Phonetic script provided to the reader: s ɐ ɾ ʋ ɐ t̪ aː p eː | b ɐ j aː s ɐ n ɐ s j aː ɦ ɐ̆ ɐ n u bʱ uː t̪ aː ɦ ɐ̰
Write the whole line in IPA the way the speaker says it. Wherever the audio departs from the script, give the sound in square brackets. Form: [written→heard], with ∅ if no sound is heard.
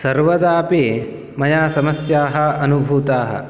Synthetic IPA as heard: s ɐ ɾ ʋ ɐ [t̪→d̪] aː p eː | [b→m] ɐ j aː s ɐ [n→m] ɐ s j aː ɦ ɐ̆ ɐ n u bʱ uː t̪ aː ɦ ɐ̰